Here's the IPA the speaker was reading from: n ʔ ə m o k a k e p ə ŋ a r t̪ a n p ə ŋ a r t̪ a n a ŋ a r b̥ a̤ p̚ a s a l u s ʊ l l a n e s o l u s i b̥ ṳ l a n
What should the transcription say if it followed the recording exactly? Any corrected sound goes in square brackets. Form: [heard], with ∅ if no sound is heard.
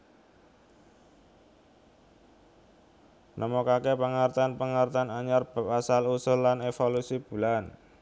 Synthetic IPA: n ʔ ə m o k a k e p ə ŋ a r t̪ a n p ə ŋ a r t̪ a n a [ɲ] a r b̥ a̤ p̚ a s a l u s ʊ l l a n e [f] o l u s i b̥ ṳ l a n